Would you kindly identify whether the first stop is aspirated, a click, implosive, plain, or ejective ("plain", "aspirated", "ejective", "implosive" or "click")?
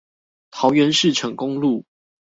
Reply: aspirated